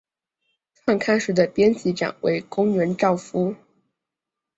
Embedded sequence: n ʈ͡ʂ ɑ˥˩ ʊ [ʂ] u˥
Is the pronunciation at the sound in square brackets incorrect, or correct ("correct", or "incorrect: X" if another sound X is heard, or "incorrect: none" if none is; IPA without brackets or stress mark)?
incorrect: f